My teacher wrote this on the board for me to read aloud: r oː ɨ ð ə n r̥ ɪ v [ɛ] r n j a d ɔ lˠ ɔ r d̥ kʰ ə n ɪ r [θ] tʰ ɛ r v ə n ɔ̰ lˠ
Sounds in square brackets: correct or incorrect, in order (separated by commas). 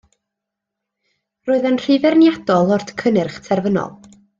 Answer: correct, incorrect